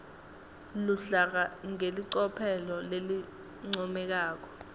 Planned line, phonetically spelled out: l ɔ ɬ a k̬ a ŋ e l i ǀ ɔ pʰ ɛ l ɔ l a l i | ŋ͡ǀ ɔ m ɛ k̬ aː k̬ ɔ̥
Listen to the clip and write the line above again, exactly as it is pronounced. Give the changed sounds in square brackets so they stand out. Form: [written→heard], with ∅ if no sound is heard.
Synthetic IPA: l [ɔ→u] ɬ a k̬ a ŋ e l i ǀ ɔ pʰ ɛ l ɔ l [a→e] l i | ŋ͡ǀ ɔ m ɛ k̬ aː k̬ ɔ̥